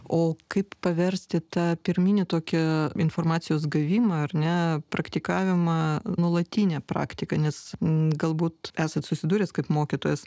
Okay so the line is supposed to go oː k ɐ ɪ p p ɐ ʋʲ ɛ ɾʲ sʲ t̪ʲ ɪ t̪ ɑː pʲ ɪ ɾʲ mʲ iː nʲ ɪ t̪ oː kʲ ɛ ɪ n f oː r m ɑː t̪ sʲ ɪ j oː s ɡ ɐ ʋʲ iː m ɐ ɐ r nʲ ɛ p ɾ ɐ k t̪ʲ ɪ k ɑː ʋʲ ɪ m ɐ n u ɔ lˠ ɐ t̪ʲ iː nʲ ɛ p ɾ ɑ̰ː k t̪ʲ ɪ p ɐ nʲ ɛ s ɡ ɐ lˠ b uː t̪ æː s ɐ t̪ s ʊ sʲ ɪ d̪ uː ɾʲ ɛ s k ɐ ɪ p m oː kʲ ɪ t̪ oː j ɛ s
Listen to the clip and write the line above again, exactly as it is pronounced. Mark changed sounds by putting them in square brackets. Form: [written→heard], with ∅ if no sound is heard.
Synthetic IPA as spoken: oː k ɐ ɪ p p ɐ ʋʲ ɛ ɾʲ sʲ t̪ʲ ɪ t̪ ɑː pʲ ɪ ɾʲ mʲ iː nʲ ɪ t̪ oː kʲ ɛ ɪ n f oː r m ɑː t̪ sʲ ɪ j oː s ɡ ɐ ʋʲ iː m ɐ ɐ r nʲ ɛ p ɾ ɐ k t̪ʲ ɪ k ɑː ʋʲ ɪ m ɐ n u ɔ lˠ ɐ t̪ʲ iː nʲ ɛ p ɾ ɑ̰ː k t̪ʲ ɪ [p→k] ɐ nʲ ɛ s ɡ ɐ lˠ b uː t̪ æː s ɐ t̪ s ʊ sʲ ɪ d̪ uː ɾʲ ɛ s k ɐ ɪ p m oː kʲ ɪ t̪ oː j ɛ s